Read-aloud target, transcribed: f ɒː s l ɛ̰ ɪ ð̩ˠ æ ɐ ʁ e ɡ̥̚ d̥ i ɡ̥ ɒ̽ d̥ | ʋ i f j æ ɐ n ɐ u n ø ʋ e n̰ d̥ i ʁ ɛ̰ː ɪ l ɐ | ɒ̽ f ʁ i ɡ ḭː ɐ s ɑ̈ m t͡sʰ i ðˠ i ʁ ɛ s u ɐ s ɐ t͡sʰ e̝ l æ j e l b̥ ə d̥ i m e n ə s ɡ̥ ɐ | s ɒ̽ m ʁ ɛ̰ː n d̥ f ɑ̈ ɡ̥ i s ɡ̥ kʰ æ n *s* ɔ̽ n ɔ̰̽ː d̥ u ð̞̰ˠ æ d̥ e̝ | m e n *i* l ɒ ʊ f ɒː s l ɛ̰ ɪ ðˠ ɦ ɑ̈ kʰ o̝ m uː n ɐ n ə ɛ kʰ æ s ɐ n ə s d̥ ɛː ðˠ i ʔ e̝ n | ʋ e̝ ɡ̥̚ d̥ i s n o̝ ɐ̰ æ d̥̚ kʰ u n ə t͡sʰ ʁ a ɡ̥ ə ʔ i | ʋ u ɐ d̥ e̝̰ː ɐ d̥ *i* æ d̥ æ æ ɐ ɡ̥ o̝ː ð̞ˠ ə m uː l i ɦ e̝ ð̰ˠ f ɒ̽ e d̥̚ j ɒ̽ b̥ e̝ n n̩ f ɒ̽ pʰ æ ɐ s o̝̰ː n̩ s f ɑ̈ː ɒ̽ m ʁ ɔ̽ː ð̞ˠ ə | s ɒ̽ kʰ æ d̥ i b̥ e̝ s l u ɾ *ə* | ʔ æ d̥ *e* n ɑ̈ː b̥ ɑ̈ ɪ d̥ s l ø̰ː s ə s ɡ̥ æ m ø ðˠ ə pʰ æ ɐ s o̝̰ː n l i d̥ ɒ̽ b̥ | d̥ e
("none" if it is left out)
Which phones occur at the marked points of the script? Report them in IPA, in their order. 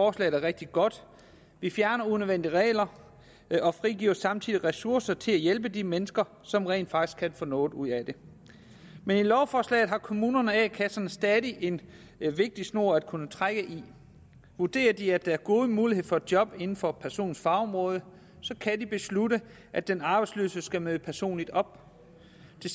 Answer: f, i, i, ə, e

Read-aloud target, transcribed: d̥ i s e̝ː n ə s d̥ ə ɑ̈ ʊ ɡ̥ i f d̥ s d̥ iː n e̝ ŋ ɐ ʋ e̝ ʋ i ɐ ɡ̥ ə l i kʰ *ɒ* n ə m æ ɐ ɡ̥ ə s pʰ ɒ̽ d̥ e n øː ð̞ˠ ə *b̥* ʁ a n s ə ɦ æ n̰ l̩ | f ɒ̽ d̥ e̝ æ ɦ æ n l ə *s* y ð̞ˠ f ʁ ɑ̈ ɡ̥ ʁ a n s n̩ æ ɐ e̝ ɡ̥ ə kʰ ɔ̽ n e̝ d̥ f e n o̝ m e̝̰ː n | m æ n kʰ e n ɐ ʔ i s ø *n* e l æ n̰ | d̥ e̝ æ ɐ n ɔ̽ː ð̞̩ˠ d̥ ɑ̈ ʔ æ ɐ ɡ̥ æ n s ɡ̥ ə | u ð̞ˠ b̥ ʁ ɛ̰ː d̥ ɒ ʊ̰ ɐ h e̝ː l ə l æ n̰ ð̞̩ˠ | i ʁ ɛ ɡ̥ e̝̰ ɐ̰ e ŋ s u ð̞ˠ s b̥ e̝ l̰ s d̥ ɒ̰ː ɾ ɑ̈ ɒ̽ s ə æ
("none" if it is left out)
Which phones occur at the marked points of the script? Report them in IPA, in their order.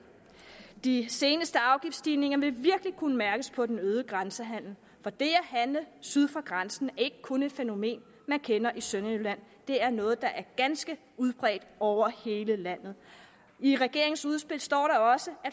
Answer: u, ɡ̥, s, n

